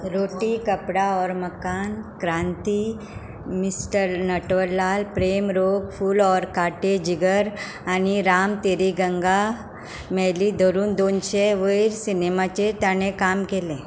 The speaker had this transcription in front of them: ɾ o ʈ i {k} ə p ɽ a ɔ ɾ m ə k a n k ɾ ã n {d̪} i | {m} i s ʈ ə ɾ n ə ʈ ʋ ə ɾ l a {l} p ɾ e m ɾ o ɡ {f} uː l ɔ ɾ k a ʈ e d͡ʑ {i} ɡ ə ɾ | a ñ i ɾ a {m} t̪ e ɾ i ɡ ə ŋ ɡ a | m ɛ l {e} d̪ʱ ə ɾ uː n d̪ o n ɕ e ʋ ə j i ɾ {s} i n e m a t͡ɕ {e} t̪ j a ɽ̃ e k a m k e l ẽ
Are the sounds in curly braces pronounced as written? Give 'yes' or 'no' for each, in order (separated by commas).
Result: yes, no, yes, yes, yes, yes, yes, no, yes, yes